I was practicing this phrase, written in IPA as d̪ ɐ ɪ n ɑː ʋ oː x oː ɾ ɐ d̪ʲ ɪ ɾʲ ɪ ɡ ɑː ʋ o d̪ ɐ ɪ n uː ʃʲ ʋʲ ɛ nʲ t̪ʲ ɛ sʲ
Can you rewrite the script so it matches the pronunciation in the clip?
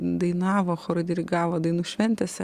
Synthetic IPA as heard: d̪ ɐ ɪ n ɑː ʋ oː x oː ɾ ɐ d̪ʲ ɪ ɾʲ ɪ ɡ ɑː ʋ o d̪ ɐ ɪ n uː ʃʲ ʋʲ ɛ nʲ t̪ʲ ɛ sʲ